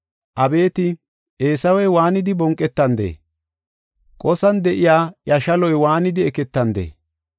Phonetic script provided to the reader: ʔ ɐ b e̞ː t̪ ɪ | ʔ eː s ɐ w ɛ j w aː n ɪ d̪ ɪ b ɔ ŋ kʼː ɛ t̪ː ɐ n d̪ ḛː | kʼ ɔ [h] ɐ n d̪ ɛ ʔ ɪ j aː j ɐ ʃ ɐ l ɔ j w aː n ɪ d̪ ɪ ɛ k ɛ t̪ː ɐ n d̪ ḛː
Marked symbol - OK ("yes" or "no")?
no